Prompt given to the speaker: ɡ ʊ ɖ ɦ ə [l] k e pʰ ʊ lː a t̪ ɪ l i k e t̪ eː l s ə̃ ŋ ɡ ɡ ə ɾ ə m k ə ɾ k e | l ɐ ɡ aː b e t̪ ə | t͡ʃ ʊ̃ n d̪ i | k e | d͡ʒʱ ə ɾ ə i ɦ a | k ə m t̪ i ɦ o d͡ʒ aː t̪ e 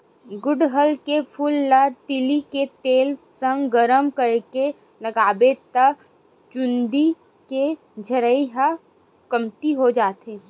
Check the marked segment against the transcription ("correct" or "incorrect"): correct